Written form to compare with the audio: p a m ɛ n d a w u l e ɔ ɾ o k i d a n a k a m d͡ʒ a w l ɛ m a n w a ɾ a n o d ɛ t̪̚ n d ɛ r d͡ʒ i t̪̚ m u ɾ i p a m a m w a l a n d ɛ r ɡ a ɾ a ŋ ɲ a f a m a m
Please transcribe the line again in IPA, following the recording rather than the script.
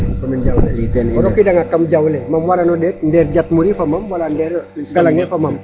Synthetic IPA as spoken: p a m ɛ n d͡ʒ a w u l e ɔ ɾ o k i d a ŋ a k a m d͡ʒ a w l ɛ m a m w a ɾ a n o d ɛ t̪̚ n d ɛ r d͡ʒ a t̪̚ m u ɾ i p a m a m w a l a n d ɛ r ɡ a l a ŋ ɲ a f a m a m

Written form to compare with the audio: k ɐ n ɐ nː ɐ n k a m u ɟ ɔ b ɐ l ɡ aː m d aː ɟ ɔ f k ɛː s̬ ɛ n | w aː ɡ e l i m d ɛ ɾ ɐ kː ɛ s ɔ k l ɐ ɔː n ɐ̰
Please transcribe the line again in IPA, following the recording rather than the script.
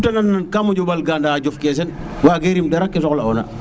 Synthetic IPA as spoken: t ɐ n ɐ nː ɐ n k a m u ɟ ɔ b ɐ l ɡ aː n d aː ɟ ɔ f k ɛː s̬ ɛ n | w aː ɡ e ɾ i m d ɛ ɾ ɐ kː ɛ s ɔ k l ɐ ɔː n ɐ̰

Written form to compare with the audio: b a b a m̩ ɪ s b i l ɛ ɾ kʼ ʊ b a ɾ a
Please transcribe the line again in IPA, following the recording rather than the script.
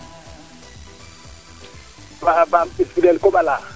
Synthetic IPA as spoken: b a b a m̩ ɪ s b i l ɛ l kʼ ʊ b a l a

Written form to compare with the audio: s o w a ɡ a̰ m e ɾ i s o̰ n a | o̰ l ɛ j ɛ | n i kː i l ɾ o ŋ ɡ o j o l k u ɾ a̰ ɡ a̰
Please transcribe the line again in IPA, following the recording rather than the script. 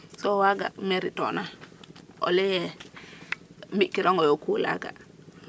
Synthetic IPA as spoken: s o w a ɡ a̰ m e ɾ i t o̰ n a | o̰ l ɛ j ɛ | m i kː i ɾ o ŋ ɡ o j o k u l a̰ ɡ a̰

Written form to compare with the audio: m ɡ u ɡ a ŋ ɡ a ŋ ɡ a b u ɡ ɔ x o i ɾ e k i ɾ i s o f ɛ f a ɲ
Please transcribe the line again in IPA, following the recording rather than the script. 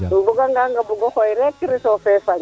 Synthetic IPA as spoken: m b u ɡ a ŋ ɡ a ŋ ɡ a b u ɡ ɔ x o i ɾ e k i ɾ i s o f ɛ f a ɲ

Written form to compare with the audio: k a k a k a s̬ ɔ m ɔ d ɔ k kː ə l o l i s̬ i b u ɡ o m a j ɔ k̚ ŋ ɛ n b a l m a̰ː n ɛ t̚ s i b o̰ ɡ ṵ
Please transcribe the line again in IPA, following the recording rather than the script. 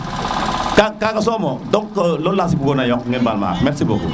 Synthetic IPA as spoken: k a k a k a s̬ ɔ m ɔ d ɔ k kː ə l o l a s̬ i b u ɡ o n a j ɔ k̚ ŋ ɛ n b a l m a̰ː m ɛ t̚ s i b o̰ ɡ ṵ

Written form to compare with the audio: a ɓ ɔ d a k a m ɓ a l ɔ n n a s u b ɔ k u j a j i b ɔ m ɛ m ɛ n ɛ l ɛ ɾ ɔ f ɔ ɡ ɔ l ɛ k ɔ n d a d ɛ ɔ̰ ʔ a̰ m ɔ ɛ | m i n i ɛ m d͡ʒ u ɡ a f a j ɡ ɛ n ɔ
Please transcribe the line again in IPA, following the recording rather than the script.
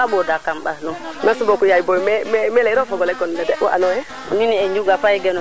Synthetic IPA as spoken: a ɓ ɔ d a k a m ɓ a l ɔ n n a s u b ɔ k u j a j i b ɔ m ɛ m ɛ m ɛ l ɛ ɾ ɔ f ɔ ɡ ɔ l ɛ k ɔ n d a d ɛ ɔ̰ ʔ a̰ n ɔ ɛ | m i n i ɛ ɲ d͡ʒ u ɡ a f a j ɡ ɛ n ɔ

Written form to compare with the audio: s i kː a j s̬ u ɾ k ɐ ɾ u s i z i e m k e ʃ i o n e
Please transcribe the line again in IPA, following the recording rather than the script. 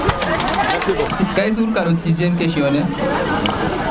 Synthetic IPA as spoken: s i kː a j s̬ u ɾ k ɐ ɾ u s i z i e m k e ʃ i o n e

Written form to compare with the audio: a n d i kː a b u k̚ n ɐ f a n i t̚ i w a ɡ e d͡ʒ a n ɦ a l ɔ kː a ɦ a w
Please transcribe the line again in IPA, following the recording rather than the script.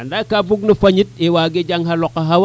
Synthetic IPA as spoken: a n d a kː a b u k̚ n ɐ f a ɲ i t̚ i w a ɡ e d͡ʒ a ŋ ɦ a l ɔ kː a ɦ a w

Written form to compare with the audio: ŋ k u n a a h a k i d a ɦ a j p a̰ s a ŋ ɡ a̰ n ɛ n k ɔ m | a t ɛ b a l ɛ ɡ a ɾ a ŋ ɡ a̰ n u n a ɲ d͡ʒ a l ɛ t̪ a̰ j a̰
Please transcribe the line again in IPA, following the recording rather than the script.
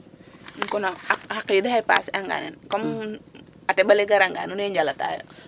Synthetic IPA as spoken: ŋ k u n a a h a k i d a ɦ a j p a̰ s a ŋ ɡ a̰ n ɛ n k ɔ m | a t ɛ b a l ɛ ɡ a ɾ a ŋ ɡ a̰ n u n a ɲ d͡ʒ a l a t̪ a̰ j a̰

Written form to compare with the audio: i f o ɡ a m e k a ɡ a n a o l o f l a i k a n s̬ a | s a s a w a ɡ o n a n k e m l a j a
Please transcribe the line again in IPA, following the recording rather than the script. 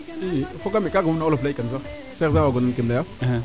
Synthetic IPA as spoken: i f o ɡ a m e k a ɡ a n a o l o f l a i k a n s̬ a | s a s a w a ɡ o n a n k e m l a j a

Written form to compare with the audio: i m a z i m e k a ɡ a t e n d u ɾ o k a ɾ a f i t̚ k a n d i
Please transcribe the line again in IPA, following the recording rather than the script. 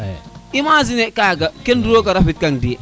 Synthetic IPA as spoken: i m a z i n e k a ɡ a k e n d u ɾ o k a ɾ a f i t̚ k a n d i

